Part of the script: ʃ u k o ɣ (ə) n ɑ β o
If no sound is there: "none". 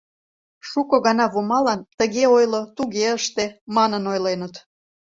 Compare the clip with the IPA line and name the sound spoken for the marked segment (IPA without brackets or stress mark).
ɑ